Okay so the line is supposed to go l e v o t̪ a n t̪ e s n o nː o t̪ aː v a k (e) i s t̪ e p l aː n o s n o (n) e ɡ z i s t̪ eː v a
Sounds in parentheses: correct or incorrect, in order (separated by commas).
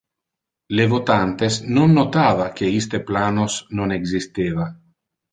correct, correct